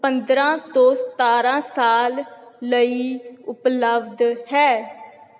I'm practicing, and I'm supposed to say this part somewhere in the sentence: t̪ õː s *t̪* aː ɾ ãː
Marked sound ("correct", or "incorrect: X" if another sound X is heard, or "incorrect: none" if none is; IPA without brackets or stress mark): correct